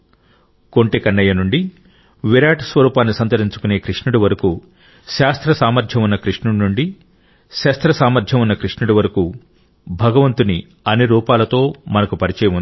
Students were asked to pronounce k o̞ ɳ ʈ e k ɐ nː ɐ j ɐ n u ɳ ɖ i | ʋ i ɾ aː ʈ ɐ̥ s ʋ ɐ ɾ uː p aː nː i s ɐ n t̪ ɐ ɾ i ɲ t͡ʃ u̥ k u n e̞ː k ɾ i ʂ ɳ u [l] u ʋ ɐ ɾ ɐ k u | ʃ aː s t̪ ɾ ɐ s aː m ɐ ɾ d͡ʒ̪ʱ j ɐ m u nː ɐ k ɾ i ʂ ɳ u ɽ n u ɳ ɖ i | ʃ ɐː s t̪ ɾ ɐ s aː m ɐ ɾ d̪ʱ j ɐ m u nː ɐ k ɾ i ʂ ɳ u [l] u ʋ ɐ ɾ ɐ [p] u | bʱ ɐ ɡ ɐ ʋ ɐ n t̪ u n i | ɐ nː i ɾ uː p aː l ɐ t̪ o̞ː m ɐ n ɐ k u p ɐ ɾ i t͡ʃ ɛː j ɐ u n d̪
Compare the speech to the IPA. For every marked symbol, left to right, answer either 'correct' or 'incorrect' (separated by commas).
incorrect, incorrect, incorrect